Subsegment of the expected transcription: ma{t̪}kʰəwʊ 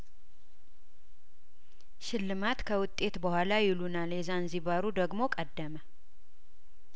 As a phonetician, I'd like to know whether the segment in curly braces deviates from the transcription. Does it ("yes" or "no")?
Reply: no